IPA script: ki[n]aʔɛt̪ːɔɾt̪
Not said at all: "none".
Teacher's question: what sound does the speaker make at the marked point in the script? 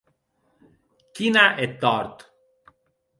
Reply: n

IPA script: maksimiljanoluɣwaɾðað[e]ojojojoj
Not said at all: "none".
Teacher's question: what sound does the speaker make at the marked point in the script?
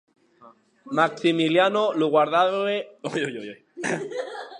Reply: e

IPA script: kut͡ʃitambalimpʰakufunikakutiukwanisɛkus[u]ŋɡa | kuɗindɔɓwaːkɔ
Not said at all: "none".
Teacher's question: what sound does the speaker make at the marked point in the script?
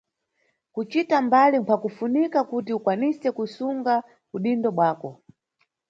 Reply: u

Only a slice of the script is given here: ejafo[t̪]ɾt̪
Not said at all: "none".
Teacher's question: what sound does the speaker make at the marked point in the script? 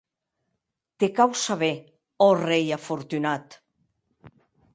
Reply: none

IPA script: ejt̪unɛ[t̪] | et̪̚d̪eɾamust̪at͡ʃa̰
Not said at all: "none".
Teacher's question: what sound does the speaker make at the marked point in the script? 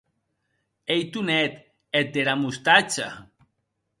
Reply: t̪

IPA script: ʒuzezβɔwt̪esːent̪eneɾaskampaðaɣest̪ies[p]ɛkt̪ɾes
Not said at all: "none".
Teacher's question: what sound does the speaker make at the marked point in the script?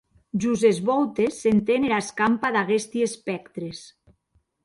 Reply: p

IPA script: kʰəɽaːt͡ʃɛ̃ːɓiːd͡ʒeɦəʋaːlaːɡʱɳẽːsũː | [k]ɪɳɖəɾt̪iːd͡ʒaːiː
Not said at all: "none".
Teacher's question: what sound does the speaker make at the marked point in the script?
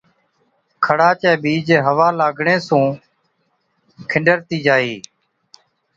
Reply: kʰ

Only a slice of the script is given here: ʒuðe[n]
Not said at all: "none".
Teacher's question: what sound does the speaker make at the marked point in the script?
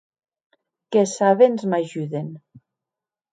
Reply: n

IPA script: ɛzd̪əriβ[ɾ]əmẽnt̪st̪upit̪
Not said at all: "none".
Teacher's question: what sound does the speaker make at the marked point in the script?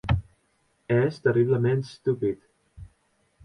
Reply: l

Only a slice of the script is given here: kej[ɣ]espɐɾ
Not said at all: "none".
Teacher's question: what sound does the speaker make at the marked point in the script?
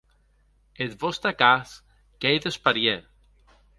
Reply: ð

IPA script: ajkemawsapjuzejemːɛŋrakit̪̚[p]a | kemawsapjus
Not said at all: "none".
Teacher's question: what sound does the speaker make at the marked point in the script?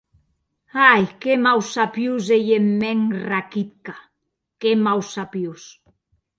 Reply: k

